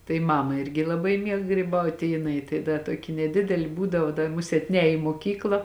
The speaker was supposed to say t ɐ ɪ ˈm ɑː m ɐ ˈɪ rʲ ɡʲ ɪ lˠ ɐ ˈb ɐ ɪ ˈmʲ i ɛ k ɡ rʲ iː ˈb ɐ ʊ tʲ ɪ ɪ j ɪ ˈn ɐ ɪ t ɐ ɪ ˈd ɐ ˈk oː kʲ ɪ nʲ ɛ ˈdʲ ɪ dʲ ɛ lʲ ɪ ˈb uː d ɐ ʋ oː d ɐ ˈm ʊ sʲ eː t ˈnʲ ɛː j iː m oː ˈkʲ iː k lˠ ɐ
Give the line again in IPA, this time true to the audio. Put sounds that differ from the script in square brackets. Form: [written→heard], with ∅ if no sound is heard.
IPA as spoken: t ɐ ɪ ˈm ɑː m ɐ ˈɪ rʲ ɡʲ ɪ lˠ ɐ ˈb ɐ ɪ ˈmʲ i ɛ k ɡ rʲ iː ˈb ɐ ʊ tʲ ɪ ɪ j ɪ ˈn ɐ ɪ t ɐ ɪ ˈd ɐ [ˈk→ˈt] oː kʲ ɪ nʲ ɛ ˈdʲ ɪ dʲ ɛ lʲ ɪ ˈb uː d ɐ ʋ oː d ɐ ˈm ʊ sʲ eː t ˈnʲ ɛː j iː m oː ˈkʲ iː k lˠ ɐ

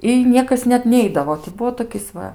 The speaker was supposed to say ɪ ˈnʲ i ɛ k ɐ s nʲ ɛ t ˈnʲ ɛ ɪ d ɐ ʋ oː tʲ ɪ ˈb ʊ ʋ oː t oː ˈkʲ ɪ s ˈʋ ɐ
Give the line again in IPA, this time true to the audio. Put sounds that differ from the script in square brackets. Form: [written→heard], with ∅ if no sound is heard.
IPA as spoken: ɪ ˈnʲ i ɛ k ɐ s nʲ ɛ t ˈnʲ ɛ ɪ d ɐ ʋ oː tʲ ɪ ˈb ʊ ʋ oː t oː ˈkʲ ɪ s ˈʋ ɐ

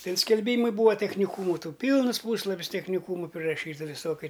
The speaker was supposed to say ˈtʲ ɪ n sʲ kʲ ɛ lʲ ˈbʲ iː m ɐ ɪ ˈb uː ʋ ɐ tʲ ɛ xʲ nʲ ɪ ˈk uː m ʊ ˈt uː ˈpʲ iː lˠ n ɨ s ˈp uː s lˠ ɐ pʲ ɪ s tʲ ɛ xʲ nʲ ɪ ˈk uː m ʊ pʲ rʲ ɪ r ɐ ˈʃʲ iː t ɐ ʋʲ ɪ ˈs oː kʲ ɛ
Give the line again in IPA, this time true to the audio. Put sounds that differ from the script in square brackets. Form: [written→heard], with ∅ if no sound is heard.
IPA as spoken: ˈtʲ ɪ n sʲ kʲ ɛ lʲ ˈbʲ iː m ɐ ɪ ˈb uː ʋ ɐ tʲ ɛ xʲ nʲ ɪ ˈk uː m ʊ ˈt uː ˈpʲ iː lˠ n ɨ s ˈp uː s lˠ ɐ pʲ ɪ s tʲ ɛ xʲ nʲ ɪ ˈk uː m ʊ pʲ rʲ ɪ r ɐ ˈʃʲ iː t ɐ ʋʲ ɪ ˈs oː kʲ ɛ

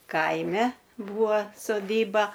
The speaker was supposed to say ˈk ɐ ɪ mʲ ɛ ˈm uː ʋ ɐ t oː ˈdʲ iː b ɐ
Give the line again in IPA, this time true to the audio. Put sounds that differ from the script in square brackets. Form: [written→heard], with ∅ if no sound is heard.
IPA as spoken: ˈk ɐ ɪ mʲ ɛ [ˈm→ˈb] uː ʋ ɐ [t→s] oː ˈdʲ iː b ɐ

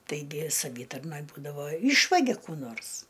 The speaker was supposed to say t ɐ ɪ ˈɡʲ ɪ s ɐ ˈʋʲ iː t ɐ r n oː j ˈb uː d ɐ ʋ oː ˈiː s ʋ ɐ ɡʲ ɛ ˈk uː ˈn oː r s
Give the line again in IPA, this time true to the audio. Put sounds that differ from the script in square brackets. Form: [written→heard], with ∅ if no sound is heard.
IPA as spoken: t ɐ ɪ ˈɡʲ ɪ s ɐ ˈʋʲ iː t ɐ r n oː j ˈb uː d ɐ ʋ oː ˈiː [s→ʃ] ʋ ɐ ɡʲ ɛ ˈk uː ˈn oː r s

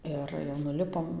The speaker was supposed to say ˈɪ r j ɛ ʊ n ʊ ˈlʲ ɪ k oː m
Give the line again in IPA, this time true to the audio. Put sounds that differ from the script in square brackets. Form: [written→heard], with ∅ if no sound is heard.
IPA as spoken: ˈɪ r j ɛ ʊ n ʊ ˈlʲ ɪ [k→p] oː m

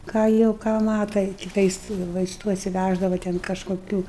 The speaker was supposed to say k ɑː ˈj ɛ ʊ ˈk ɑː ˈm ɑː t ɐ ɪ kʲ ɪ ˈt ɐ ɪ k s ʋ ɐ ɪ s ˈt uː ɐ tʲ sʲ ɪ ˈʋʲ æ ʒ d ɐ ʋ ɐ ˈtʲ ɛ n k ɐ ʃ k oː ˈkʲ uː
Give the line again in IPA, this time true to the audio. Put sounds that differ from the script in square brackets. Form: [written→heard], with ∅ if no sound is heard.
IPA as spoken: k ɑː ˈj ɛ ʊ ˈk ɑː ˈm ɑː t ɐ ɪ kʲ ɪ ˈt ɐ ɪ [k→∅] s ʋ ɐ ɪ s ˈt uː ɐ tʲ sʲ ɪ ˈʋʲ æ ʒ d ɐ ʋ ɐ ˈtʲ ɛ n k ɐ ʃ k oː ˈkʲ uː

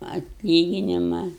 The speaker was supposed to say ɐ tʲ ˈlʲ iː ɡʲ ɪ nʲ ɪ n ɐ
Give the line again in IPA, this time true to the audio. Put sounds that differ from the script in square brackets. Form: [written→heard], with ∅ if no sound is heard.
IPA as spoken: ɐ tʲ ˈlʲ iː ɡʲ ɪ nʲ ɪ [n→m] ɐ

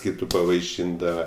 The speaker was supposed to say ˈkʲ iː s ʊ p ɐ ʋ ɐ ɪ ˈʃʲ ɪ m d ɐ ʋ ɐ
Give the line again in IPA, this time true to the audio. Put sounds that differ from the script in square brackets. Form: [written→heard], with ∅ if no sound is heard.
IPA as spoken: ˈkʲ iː [s→t] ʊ p ɐ ʋ ɐ ɪ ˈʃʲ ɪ [m→n] d ɐ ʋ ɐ

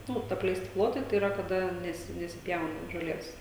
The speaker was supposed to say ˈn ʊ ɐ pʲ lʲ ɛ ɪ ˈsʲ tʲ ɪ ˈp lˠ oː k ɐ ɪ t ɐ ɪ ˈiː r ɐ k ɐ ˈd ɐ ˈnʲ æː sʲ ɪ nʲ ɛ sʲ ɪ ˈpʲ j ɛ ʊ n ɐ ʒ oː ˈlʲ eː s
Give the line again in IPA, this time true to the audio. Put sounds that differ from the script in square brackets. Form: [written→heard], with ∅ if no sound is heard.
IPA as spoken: ˈn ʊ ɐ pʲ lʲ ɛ ɪ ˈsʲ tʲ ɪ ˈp lˠ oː [k→t] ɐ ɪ t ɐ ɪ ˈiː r ɐ k ɐ ˈd ɐ ˈnʲ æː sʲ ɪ nʲ ɛ sʲ ɪ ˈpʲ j ɛ ʊ n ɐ ʒ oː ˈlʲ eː s

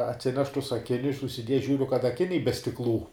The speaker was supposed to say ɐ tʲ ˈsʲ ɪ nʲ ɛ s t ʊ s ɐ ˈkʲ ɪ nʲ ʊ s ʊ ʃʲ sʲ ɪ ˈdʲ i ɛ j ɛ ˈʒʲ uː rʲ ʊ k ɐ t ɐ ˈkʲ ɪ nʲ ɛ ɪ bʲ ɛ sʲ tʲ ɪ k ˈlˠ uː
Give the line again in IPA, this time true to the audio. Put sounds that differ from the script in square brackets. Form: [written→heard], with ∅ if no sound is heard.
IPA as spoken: ɐ tʲ ˈsʲ ɪ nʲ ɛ [s→ʃ] t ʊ s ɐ ˈkʲ ɪ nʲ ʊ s ʊ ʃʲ sʲ ɪ ˈdʲ i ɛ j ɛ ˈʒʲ uː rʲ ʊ k ɐ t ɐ ˈkʲ ɪ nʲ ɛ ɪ bʲ ɛ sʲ tʲ ɪ k ˈlˠ uː

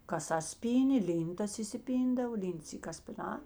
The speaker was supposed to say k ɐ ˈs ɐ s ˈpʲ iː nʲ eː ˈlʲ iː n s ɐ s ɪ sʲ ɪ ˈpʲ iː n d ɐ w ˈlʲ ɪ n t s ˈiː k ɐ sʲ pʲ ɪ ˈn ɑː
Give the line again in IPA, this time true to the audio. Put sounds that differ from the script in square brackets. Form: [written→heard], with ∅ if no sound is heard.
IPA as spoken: k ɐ ˈs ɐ s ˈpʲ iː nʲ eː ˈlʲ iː n [s→t] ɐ s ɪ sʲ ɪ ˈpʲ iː n d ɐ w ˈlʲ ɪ n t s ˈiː k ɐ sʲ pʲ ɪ ˈn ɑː

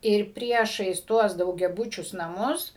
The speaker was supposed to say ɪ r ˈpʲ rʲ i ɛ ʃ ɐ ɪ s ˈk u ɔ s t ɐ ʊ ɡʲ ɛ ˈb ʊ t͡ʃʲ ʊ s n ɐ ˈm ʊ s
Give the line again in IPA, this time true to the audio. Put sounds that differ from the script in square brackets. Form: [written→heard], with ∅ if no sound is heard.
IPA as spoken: ɪ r ˈpʲ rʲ i ɛ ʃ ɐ ɪ s [ˈk→ˈt] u ɔ s [t→d] ɐ ʊ ɡʲ ɛ ˈb ʊ t͡ʃʲ ʊ s n ɐ ˈm ʊ s

